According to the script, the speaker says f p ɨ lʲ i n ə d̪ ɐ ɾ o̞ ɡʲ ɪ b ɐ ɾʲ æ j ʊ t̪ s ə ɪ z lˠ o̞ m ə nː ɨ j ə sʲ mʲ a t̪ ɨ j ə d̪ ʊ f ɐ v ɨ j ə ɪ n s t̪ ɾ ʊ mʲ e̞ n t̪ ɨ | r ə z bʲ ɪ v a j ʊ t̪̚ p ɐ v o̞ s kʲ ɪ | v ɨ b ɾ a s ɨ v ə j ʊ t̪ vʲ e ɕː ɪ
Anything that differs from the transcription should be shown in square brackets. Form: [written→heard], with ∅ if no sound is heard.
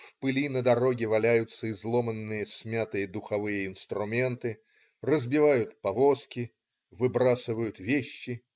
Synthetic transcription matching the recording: f p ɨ lʲ i n ə d̪ ɐ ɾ o̞ ɡʲ ɪ [b→v] ɐ [ɾʲ→lʲ] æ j ʊ t̪ s ə ɪ z lˠ o̞ m ə nː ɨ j ə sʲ mʲ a t̪ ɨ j ə d̪ ʊ [f→x] ɐ v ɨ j ə ɪ n s t̪ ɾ ʊ mʲ e̞ n t̪ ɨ | r ə z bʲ ɪ v a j ʊ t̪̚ p ɐ v o̞ s kʲ ɪ | v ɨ b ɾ a s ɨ v ə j ʊ t̪ vʲ e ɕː ɪ